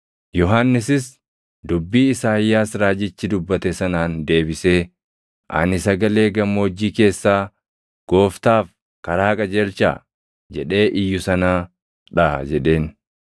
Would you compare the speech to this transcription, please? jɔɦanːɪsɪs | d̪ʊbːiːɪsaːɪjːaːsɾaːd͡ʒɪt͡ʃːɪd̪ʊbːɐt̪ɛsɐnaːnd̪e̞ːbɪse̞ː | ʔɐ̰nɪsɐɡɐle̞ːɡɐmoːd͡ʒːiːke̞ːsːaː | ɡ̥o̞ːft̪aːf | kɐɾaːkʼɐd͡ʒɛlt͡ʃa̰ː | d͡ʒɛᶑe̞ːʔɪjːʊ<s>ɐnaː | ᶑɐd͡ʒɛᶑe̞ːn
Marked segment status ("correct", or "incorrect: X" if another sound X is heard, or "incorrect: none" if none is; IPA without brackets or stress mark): correct